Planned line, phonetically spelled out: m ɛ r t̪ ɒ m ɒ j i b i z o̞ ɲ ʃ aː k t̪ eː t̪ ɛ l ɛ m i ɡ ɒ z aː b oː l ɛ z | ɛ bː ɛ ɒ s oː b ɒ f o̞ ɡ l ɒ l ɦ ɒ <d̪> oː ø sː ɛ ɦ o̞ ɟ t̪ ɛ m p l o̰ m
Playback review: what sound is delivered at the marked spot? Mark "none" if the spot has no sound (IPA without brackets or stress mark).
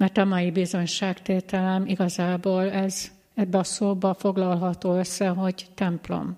t̪